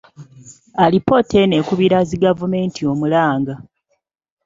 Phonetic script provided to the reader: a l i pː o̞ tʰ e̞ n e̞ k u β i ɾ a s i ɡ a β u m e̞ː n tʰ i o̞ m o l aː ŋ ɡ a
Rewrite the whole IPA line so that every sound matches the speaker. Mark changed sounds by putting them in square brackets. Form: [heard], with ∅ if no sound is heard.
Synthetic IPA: a l i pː o̞ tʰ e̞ n e̞ k u β i ɾ a [z] i ɡ a [v] u m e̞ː n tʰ i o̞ m [u] l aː ŋ ɡ a